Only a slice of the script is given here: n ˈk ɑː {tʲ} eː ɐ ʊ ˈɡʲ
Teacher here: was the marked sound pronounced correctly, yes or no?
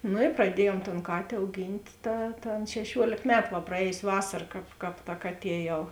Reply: yes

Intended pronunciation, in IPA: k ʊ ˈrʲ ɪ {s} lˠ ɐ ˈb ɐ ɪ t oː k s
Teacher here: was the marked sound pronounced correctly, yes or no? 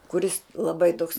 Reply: yes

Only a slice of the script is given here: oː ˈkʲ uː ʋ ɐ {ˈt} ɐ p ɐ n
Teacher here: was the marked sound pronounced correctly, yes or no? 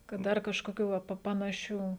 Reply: no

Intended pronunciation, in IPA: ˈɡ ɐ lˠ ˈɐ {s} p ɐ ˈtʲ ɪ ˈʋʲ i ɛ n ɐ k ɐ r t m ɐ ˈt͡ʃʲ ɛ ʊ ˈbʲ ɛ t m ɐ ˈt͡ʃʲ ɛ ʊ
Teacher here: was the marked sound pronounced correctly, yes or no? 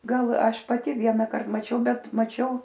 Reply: no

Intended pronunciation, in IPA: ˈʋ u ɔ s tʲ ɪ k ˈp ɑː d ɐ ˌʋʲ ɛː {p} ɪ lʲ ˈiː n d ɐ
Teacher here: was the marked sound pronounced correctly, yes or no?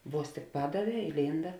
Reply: no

